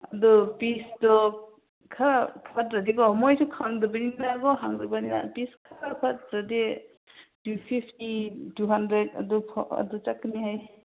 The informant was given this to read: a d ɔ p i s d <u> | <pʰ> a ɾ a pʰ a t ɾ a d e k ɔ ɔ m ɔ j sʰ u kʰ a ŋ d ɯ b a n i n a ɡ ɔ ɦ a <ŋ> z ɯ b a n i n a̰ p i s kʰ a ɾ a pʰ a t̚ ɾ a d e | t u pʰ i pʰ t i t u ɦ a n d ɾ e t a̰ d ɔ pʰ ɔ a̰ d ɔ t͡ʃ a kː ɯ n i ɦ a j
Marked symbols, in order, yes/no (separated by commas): no, no, yes